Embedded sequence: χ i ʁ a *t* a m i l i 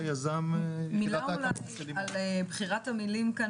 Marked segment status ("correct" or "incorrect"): correct